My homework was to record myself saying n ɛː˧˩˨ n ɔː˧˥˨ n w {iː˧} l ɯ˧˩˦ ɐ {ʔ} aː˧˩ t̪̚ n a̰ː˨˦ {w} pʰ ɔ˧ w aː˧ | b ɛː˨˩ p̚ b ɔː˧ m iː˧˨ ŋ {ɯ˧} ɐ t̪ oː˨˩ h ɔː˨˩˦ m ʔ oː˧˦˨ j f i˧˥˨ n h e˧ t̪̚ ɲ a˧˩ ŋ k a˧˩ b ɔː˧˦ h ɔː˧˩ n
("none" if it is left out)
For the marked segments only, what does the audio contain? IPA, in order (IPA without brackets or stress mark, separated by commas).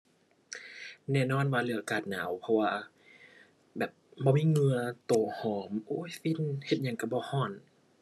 aː˧, k, w, ɯ˧